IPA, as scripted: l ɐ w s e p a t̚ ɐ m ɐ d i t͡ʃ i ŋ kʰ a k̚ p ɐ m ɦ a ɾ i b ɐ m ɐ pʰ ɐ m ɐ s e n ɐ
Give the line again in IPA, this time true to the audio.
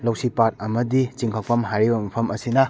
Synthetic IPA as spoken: l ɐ w s i p a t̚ ɐ m ɐ d i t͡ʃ i ŋ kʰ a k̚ p ɐ m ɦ a ɾ i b ɐ m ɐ pʰ ɐ m ɐ s i n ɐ